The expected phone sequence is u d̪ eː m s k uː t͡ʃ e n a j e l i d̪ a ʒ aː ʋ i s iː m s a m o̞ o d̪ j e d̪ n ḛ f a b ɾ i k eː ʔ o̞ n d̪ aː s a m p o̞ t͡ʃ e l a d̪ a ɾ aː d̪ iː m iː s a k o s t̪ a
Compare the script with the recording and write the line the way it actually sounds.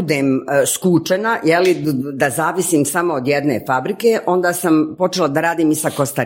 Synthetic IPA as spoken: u d̪ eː m s k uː t͡ʃ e n a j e l i d̪ a z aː ʋ i s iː m s a m o̞ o d̪ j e d̪ n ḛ f a b ɾ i k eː ʔ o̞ n d̪ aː s a m p o̞ t͡ʃ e l a d̪ a ɾ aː d̪ iː m i s a k o s t̪ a